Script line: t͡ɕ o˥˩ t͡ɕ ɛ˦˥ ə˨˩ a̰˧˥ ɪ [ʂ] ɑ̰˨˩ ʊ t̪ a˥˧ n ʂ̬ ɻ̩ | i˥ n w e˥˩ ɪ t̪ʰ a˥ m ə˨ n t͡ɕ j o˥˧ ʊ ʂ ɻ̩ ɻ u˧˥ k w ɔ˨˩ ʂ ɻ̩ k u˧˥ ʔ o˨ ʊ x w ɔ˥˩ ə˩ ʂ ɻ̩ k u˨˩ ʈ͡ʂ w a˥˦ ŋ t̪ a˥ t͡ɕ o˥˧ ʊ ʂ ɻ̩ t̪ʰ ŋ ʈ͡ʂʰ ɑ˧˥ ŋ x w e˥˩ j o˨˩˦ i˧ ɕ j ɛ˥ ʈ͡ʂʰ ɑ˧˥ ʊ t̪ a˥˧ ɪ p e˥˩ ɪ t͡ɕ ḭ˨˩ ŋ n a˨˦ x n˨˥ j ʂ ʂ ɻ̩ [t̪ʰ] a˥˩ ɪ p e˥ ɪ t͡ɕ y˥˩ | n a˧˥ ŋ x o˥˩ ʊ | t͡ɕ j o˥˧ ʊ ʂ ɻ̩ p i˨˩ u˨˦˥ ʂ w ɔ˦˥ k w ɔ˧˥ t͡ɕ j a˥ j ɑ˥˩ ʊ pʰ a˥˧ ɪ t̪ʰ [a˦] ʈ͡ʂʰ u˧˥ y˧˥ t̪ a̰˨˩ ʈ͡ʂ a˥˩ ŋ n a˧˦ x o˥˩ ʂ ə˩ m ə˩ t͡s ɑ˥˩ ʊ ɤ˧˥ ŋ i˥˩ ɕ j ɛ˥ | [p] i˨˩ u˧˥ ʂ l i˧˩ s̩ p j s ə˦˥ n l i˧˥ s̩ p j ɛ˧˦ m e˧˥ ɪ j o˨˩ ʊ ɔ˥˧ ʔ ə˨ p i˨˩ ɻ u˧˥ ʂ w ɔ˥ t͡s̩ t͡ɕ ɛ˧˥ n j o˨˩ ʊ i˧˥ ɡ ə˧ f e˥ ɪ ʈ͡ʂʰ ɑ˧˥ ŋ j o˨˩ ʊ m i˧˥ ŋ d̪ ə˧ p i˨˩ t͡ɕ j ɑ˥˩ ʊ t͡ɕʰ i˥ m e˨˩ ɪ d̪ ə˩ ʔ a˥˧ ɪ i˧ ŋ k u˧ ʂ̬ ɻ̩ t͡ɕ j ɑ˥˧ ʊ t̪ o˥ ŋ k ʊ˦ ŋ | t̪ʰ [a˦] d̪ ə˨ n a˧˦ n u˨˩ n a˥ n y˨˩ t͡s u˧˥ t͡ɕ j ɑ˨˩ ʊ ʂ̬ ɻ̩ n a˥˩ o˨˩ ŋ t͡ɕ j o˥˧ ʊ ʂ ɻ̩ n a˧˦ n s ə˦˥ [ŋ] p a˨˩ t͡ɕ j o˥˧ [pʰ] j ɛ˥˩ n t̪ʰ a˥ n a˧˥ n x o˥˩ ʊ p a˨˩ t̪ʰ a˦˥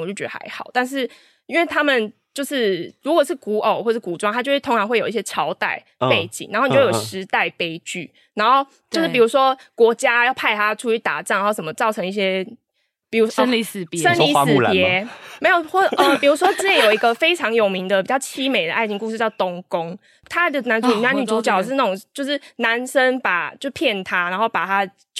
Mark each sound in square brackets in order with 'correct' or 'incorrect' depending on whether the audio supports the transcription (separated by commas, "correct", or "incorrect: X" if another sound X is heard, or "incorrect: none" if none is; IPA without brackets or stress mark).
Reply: incorrect: x, incorrect: t̪, correct, correct, correct, incorrect: n, correct